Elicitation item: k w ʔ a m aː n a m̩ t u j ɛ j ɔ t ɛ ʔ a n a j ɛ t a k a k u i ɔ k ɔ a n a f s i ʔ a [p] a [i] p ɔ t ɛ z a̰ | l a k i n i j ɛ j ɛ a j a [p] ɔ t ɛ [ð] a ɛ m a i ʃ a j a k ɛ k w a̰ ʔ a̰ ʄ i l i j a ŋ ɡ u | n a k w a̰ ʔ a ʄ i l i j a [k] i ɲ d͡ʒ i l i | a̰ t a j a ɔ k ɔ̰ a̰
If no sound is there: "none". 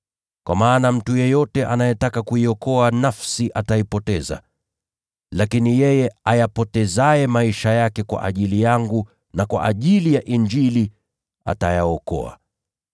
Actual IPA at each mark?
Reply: t, i, p, z, ʔ

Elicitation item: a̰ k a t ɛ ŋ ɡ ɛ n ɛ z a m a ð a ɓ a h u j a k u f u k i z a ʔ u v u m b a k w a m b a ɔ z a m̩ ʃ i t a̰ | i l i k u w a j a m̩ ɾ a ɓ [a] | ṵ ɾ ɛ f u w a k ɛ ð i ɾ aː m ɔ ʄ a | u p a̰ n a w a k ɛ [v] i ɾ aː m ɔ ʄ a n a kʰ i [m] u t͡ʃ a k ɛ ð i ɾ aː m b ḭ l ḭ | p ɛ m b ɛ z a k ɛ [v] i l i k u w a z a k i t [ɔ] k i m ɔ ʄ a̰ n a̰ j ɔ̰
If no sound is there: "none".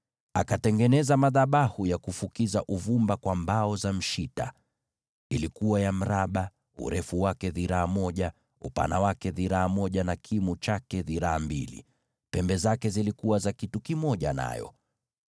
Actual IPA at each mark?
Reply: a, ð, m, z, u

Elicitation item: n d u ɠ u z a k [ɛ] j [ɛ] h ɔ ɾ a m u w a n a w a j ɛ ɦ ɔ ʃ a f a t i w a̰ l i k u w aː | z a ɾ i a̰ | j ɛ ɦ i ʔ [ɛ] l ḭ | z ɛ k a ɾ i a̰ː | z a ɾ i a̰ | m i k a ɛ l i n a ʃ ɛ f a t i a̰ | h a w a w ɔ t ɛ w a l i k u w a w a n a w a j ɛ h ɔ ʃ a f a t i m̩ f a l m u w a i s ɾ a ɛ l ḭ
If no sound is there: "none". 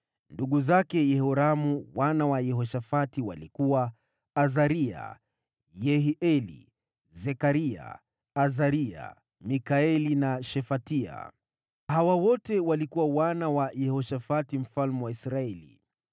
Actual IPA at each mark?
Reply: ɛ, ɛ, ɛ

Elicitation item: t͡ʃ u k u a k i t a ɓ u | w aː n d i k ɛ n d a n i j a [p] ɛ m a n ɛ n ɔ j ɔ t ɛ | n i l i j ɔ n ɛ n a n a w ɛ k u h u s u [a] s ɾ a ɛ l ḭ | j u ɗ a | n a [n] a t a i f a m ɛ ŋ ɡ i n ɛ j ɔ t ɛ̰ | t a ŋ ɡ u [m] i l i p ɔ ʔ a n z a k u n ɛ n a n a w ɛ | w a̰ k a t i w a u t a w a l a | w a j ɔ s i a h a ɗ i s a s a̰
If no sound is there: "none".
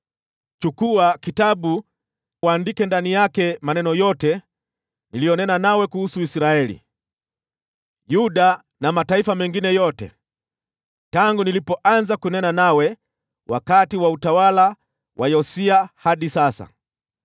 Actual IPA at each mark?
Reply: k, i, m, n

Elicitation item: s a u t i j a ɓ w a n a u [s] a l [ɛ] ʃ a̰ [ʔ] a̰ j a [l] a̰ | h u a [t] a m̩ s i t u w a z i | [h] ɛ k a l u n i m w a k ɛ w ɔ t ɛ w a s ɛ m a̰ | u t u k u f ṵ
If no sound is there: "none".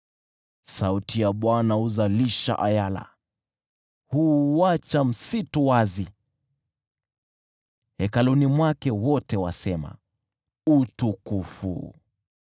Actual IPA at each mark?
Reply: z, i, ʔ, l, t͡ʃ, h

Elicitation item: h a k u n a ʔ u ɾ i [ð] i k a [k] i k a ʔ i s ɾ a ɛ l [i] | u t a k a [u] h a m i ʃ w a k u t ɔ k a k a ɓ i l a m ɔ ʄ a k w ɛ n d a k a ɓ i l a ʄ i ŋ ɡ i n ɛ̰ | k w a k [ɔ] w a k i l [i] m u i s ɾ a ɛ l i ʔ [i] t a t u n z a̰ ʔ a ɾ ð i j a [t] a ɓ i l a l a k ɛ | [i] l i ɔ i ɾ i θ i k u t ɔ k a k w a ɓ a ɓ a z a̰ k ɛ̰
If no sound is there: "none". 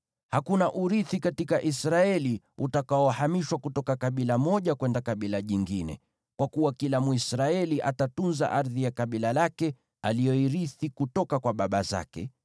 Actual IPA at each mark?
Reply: θ, t, i, ɔ, u, a, a, k, a

